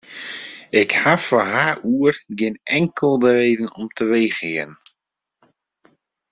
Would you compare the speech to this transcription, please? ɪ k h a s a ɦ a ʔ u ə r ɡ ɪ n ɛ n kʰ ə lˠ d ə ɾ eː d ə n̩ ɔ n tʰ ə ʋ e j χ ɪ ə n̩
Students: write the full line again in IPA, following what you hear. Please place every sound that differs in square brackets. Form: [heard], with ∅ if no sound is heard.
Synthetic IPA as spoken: ɪ k h a [f] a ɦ a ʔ u ə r ɡ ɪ n ɛ [ŋ] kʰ ə lˠ d ə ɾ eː d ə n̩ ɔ [m] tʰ ə ʋ e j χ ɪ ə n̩